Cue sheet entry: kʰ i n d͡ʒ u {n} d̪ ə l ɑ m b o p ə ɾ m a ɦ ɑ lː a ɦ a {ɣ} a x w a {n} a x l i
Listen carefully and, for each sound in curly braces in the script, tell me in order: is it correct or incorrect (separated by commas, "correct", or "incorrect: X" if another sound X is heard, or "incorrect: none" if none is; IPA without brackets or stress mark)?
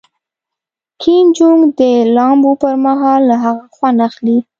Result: incorrect: ŋ, correct, correct